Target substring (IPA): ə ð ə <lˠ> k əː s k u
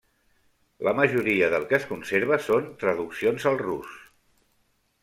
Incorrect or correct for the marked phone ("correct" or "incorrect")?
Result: correct